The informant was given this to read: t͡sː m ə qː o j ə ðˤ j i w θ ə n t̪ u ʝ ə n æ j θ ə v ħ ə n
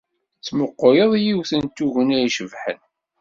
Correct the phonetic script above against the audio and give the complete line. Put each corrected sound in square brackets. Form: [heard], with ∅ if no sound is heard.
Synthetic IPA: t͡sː m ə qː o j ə ðˤ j i w θ ə n t̪ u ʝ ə n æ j [ʃ] ə v ħ ə n